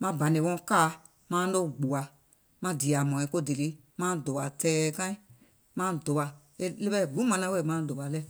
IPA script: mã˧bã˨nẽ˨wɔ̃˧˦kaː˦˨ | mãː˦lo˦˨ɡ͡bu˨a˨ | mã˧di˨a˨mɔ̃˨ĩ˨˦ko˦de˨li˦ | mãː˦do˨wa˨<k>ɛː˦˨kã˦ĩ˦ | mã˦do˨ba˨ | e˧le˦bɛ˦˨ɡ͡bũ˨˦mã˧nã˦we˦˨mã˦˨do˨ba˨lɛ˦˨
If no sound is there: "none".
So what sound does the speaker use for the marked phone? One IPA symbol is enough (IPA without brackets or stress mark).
t